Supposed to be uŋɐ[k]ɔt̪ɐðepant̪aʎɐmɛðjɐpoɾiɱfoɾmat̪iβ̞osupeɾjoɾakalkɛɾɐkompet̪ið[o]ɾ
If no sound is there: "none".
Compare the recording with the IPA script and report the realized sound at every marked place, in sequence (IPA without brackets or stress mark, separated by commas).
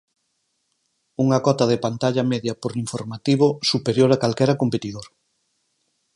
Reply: k, o